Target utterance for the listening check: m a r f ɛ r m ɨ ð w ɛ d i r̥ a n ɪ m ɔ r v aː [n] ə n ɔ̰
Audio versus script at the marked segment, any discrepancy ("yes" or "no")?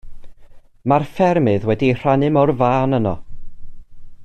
no